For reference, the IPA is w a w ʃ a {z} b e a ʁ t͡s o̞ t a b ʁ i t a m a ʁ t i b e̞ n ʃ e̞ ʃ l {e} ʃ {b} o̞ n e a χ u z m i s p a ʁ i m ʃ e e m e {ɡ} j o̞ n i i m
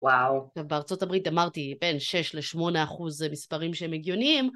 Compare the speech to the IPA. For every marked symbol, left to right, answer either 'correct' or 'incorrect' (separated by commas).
incorrect, correct, incorrect, correct